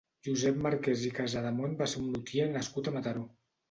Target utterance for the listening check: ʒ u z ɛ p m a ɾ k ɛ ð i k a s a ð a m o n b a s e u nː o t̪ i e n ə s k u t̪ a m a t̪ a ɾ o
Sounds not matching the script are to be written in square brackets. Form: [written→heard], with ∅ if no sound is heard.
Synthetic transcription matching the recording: ʒ u z ɛ p m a ɾ k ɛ [ð→z] i k a [s→z] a ð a m o n b a s e u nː [o→u] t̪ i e n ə s k u t̪ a m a t̪ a ɾ o